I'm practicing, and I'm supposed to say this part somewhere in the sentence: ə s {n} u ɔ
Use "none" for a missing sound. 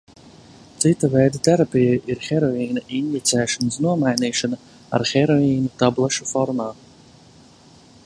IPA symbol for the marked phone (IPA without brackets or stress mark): n